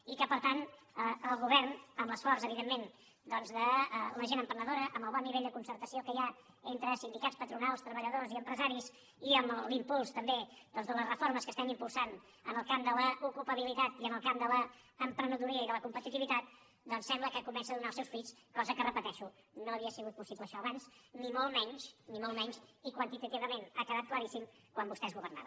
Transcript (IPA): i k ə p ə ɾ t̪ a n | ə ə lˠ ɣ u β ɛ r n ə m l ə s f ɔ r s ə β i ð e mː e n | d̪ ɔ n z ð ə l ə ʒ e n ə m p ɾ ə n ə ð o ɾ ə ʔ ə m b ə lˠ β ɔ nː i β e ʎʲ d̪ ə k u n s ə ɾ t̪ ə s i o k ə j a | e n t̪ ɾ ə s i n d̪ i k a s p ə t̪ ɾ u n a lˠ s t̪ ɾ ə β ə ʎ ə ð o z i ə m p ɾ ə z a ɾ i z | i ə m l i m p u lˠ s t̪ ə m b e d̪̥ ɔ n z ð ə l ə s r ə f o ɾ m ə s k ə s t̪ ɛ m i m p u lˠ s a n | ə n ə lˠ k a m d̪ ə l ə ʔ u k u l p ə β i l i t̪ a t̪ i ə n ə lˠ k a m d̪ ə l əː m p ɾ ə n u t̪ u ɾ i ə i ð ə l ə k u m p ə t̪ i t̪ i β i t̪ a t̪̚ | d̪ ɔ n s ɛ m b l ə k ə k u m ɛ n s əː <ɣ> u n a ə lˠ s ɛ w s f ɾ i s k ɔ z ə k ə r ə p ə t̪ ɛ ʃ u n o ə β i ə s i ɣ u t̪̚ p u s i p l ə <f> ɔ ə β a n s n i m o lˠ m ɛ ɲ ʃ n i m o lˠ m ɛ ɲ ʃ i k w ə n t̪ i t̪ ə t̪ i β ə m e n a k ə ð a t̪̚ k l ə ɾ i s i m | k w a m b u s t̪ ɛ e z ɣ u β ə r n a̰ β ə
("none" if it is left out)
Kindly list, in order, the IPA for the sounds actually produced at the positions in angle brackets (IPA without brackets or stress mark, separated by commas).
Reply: ð, ʃ